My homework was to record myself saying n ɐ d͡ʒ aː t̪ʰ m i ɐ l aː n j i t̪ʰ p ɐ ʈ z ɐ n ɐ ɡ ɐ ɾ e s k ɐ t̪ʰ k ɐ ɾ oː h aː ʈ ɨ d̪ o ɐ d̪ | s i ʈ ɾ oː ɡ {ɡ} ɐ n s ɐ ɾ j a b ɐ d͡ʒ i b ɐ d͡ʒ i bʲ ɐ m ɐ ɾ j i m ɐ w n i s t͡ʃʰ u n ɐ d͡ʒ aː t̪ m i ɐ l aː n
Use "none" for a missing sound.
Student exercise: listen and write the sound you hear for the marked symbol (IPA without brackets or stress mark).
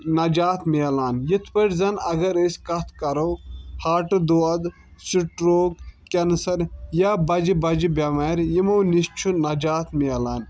k